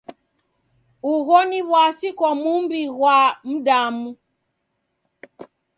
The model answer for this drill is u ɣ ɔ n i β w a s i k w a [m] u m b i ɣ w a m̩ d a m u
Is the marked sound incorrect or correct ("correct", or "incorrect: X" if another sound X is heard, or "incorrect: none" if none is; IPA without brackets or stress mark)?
correct